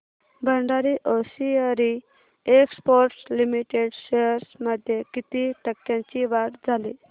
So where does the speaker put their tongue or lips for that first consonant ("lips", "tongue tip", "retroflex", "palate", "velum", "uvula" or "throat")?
lips